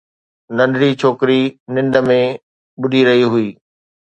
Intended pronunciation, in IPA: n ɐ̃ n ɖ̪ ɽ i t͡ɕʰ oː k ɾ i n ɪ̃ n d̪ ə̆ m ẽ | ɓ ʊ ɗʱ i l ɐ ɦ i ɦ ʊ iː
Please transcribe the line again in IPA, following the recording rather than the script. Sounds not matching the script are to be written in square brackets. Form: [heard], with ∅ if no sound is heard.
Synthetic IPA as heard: n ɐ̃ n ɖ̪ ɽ i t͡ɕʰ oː k ɾ i n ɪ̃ n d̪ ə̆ m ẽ | ɓ ʊ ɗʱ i [ɾ] ɐ ɦ i ɦ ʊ iː